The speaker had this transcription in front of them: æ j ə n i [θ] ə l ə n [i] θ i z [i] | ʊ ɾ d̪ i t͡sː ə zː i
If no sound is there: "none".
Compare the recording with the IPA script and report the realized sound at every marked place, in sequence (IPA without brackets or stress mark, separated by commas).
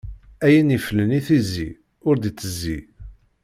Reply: f, i, i